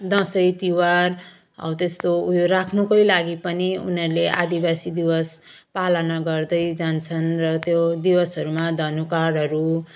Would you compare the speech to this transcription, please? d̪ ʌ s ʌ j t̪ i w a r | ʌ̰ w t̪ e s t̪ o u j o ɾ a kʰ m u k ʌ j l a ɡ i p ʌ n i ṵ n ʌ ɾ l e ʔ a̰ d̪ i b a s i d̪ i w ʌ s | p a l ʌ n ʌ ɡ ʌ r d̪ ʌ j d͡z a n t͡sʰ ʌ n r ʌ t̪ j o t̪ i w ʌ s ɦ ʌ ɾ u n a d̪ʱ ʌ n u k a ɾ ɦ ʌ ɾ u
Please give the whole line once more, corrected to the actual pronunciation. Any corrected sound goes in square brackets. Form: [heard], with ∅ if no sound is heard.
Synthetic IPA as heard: d̪ ʌ s ʌ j t̪ i w a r | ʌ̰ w t̪ e s t̪ o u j o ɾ a kʰ [n] u k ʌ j l a ɡ i p ʌ n i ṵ n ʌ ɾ l e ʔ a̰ d̪ i b a s i d̪ i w ʌ s | p a l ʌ n ʌ ɡ ʌ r d̪ ʌ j d͡z a n t͡sʰ ʌ n r ʌ t̪ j o [d̪] i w ʌ s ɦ ʌ ɾ u [m] a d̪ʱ ʌ n u k a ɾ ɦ ʌ ɾ u